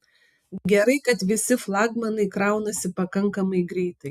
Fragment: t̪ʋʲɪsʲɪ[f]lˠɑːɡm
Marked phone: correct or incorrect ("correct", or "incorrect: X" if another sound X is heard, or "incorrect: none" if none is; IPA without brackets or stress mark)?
correct